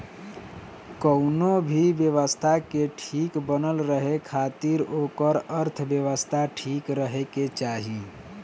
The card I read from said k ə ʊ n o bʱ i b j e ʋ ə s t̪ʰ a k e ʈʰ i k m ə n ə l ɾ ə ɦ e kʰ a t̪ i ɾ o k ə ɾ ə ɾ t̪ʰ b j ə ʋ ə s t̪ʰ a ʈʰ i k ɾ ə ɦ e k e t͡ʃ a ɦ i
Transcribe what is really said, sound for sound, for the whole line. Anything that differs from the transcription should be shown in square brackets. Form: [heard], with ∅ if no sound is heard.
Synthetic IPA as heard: k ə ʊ n o bʱ i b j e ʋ ə s t̪ʰ a k e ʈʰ i k [b] ə n ə l ɾ ə ɦ e kʰ a t̪ i ɾ o k ə ɾ ə ɾ t̪ʰ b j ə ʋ ə s t̪ʰ a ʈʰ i k ɾ ə ɦ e k e t͡ʃ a ɦ i